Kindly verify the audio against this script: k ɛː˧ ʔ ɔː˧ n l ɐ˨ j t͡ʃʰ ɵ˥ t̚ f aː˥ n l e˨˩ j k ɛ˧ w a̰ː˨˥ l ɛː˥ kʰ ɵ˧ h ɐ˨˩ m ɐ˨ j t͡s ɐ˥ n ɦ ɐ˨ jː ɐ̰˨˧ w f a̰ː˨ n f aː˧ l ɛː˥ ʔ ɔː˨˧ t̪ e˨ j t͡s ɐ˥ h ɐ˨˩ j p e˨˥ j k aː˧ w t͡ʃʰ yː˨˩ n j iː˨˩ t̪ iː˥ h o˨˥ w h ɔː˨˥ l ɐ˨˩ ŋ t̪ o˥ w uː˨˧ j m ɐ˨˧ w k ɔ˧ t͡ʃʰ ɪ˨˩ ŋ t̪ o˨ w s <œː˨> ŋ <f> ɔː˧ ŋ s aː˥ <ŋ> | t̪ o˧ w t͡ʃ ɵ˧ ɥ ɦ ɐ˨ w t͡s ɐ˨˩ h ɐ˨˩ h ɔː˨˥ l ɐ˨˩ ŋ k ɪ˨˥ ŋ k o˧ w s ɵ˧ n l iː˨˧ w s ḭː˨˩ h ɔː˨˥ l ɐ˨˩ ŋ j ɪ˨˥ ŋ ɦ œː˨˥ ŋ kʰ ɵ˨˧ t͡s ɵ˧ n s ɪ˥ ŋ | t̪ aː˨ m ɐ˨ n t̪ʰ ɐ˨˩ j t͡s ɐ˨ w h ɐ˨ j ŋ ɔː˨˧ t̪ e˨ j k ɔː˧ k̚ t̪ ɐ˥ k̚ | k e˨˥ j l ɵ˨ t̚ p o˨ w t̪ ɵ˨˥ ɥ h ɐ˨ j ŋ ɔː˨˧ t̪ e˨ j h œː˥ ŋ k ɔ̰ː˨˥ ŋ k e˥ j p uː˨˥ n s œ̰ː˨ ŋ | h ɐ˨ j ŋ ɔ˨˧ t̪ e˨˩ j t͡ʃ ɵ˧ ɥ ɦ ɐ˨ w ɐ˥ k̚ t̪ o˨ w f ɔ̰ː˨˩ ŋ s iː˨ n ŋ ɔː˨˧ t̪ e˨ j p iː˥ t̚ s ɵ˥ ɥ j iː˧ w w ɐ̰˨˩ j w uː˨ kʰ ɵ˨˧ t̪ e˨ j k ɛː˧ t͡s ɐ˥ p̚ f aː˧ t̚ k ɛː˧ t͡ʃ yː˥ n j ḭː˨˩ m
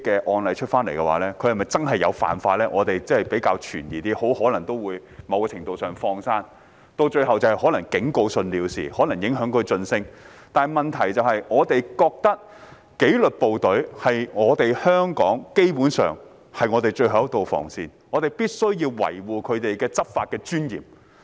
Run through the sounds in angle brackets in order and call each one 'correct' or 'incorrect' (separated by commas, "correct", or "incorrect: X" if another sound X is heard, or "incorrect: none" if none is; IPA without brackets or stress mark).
correct, correct, incorrect: n